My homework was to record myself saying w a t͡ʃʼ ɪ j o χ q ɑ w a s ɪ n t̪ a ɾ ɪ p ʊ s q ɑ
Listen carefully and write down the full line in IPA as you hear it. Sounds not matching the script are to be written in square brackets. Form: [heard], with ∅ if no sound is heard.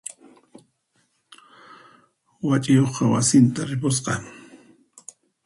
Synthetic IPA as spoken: w a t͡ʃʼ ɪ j o χ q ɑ w a s ɪ n t̪ a ɾ ɪ p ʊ s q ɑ